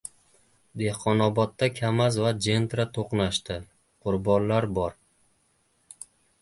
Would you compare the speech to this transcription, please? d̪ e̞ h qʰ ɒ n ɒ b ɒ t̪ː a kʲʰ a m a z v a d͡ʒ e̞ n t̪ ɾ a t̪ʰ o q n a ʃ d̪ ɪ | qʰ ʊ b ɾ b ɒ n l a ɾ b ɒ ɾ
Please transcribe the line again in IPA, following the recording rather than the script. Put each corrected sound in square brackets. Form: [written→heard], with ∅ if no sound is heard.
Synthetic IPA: d̪ e̞ h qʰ ɒ n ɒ b ɒ t̪ː a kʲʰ a m a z v a d͡ʒ e̞ n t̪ ɾ a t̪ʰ o q n a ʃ [d̪→t̪] ɪ | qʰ ʊ [b→∅] ɾ b ɒ n l a ɾ b ɒ ɾ